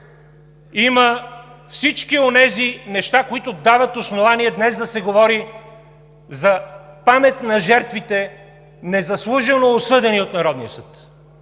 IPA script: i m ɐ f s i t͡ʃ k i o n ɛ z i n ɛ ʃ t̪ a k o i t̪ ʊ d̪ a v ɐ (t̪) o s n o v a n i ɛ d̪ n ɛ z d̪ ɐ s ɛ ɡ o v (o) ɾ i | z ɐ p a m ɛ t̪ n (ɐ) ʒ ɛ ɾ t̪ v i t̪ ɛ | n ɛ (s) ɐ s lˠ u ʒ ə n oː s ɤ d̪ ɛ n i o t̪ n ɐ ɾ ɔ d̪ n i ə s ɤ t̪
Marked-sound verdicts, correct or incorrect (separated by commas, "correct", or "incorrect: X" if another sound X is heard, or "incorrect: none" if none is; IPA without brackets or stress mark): correct, incorrect: ɔ, correct, incorrect: z